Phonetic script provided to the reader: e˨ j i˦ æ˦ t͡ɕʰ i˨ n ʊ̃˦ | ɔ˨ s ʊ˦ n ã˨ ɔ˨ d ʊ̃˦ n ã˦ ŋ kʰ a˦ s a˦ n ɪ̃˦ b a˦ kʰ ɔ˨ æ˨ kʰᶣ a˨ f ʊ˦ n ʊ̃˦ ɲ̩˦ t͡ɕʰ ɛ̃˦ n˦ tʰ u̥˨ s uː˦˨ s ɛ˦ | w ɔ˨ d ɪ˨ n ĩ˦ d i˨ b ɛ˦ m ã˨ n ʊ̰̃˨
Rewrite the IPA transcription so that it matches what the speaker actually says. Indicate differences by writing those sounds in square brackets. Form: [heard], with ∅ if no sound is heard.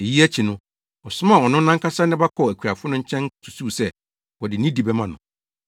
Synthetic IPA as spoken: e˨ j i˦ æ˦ t͡ɕʰ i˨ n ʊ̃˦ | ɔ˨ s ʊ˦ [m] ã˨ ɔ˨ [n] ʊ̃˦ n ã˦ ŋ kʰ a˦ s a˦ n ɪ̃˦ b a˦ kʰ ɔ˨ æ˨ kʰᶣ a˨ f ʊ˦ n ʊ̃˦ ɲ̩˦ t͡ɕʰ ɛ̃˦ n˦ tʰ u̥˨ s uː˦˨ s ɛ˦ | w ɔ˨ d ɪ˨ n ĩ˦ d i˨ b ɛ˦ m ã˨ n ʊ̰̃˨